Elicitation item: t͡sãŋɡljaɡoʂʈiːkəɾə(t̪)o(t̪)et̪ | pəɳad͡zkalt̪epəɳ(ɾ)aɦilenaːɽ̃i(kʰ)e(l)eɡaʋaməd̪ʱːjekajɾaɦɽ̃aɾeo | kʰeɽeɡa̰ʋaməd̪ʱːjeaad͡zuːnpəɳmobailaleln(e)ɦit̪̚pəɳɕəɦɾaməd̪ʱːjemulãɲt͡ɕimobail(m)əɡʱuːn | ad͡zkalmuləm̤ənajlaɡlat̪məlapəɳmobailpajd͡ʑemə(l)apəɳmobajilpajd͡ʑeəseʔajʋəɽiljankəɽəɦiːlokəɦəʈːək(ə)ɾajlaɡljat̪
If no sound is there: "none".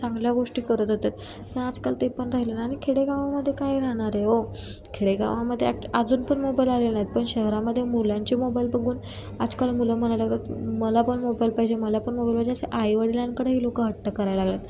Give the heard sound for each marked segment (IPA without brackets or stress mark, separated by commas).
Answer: t̪, t̪, ɾ, kʰ, ɽ, a, b, l, ə